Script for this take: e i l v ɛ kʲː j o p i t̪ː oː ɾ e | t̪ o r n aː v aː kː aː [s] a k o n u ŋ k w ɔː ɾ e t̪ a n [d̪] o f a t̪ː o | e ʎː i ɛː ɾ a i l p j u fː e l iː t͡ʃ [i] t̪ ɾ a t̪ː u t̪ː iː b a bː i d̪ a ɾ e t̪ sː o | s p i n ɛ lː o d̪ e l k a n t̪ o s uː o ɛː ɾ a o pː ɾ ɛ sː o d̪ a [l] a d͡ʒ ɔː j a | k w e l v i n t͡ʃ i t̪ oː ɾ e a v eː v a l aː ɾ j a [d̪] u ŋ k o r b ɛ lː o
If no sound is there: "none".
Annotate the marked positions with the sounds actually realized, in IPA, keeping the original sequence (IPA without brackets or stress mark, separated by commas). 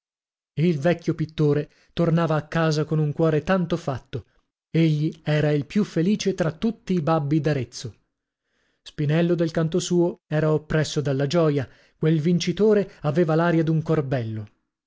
z, t̪, e, lː, d̪